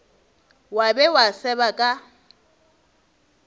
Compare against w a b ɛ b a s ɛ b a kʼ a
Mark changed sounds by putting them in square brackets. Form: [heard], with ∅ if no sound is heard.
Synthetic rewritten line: w a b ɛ [w] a s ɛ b a kʼ a